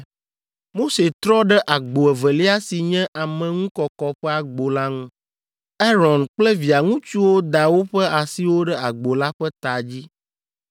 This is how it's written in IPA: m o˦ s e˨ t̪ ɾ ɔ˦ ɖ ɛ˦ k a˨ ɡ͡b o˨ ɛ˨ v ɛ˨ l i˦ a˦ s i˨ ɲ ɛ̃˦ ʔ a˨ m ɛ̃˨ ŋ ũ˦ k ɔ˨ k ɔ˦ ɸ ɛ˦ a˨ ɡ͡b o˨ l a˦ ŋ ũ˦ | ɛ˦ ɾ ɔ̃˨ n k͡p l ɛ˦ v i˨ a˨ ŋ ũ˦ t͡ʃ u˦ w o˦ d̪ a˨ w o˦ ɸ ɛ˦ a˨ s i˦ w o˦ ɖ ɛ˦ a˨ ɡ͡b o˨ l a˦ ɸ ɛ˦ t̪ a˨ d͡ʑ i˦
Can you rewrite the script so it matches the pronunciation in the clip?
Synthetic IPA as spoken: m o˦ s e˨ t̪ ɾ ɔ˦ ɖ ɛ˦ ʔ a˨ ɡ͡b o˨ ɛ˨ v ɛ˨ l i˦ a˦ s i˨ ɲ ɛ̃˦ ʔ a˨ m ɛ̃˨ ŋ ũ˦ k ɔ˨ k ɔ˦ ɸ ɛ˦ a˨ ɡ͡b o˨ l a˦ ŋ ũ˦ | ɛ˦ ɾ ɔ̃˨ n k͡p l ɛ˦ v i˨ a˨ ŋ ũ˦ t͡ʃ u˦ w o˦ d̪ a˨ w o˦ ɸ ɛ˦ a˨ s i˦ w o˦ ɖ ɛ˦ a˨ ɡ͡b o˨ l a˦ ɸ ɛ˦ t̪ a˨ d͡ʑ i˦